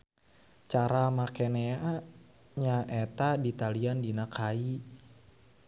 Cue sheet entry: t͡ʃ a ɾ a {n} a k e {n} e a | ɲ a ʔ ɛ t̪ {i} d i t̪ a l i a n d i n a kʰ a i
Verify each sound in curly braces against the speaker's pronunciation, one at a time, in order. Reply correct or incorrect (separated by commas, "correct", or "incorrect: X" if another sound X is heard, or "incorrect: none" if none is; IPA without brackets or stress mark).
incorrect: m, correct, incorrect: a